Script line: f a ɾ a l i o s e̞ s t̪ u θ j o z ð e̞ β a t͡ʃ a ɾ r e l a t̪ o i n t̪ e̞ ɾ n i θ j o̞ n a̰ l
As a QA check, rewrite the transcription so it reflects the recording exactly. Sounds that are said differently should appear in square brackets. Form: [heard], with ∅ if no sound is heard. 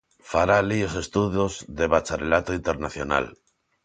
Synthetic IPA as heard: f a ɾ a l i o s e̞ s t̪ u [ð] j o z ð e̞ β a t͡ʃ a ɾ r e l a t̪ o i n t̪ e̞ ɾ n [a] θ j o̞ n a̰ l

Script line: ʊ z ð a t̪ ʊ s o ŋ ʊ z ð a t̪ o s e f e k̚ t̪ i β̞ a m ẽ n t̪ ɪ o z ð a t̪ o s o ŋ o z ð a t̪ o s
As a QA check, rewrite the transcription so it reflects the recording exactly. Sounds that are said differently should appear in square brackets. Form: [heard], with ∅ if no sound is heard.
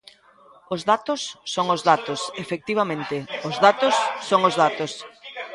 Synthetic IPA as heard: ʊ z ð a t̪ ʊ [sː] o ŋ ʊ z ð a t̪ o s e f e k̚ t̪ i β̞ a m ẽ n t̪ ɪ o z ð a t̪ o [sː] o ŋ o z ð a t̪ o s

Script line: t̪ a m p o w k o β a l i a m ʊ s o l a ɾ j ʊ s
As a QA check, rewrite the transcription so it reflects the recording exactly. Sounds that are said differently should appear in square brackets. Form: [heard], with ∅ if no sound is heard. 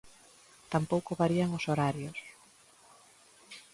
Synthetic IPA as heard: t̪ a m p o w k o β a [ɾ] i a [ŋ] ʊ s o [ɾ] a ɾ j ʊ s

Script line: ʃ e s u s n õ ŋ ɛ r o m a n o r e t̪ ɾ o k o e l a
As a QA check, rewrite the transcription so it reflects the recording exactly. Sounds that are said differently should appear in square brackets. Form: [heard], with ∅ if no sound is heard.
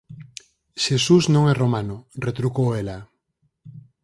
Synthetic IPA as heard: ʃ e s u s n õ ŋ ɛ r o m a n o r e t̪ ɾ [u] k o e l a

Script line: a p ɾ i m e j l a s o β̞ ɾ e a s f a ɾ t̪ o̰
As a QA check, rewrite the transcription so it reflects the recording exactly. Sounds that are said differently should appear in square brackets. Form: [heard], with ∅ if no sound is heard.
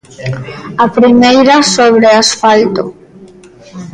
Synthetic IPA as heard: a p ɾ i m e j [ɾ] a s o β̞ ɾ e a s f a [l] t̪ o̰

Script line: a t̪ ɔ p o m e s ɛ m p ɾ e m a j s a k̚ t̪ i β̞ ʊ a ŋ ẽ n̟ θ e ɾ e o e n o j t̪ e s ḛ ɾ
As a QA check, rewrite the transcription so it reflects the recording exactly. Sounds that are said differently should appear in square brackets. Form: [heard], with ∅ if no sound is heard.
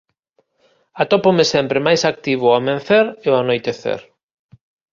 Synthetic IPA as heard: a t̪ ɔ p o m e s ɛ m p ɾ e m a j s a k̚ t̪ i β̞ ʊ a [m] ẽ n̟ θ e ɾ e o [a] n o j t̪ e [θ] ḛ ɾ

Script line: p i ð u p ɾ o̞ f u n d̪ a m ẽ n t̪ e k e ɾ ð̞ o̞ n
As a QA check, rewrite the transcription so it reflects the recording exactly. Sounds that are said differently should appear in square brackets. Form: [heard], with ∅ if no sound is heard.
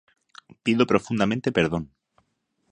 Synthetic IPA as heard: p i ð [o] p ɾ o̞ f u n d̪ a m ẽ n t̪ e [p] e ɾ ð̞ o̞ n

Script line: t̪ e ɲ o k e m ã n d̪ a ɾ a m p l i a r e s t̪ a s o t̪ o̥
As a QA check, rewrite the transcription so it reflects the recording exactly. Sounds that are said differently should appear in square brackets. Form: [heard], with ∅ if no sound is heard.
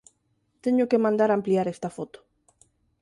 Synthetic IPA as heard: t̪ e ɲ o k e m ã n d̪ a ɾ a m p l i a [ɾ] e s t̪ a [f] o t̪ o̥

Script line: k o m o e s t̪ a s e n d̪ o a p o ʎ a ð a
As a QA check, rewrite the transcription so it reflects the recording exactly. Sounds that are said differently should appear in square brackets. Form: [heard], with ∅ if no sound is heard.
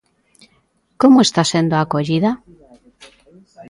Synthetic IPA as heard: k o m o e s t̪ a s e n d̪ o a [k] o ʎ [i] ð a

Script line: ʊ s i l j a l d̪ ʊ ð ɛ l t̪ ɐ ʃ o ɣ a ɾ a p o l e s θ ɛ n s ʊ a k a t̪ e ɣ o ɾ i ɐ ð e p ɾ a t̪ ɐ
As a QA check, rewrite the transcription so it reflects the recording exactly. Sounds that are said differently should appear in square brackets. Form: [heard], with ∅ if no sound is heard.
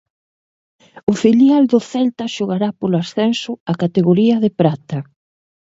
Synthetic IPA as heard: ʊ [f] i l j a l d̪ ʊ [θ] ɛ l t̪ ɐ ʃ o ɣ a ɾ a p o l [a] s θ ɛ n s ʊ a k a t̪ e ɣ o ɾ i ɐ ð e p ɾ a t̪ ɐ

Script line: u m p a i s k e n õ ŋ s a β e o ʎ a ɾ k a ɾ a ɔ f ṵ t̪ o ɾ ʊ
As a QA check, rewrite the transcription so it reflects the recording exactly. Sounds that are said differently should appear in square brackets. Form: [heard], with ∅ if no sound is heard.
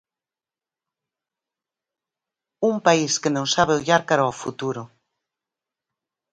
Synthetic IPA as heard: u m p a i s k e n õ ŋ s a β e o ʎ a ɾ k a ɾ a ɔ f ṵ t̪ [u] ɾ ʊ

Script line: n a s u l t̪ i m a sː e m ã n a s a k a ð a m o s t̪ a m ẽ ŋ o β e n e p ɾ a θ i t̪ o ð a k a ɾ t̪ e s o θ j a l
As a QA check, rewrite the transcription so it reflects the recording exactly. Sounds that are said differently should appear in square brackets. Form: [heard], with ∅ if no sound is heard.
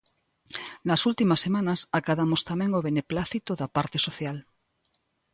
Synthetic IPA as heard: n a s u l t̪ i m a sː e m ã n a s a k a ð a m o s t̪ a m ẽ ŋ o β e n e p [l] a θ i t̪ o ð a [p] a ɾ t̪ e s o θ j a l

